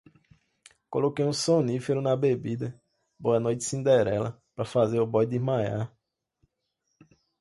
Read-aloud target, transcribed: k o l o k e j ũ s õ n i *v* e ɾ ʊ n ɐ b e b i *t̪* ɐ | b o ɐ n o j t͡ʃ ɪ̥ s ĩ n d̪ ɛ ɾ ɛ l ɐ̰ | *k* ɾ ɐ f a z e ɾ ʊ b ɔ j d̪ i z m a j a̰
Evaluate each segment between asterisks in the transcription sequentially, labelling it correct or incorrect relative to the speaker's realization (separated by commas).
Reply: incorrect, incorrect, incorrect